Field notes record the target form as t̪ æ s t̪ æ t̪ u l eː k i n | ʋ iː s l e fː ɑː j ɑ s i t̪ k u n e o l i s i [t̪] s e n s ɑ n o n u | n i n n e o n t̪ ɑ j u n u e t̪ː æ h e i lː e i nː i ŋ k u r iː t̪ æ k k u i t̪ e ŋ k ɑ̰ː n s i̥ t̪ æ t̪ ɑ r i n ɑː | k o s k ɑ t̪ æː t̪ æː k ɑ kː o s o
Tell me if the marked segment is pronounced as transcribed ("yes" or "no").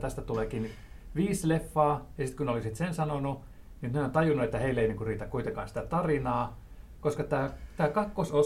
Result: yes